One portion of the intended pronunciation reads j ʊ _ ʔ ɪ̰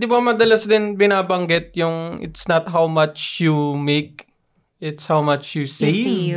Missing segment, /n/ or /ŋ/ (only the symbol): ŋ